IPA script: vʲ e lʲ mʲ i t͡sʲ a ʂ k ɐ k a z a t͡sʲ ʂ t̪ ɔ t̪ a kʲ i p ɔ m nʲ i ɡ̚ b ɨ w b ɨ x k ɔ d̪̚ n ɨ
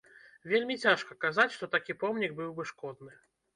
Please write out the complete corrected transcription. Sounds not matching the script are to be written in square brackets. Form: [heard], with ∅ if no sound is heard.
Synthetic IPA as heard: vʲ e lʲ mʲ i t͡sʲ a ʂ k ɐ k a z a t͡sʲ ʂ t̪ ɔ t̪ a kʲ i p ɔ m nʲ i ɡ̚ b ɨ w b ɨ [ʂ] k ɔ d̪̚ n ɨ